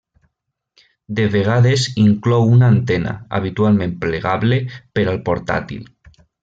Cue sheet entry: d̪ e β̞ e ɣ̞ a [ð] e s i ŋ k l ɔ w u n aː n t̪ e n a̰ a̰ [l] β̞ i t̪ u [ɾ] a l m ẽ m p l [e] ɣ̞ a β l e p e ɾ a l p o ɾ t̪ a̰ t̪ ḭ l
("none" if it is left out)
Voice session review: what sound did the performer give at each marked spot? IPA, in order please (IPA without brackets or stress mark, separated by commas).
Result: ð, none, none, e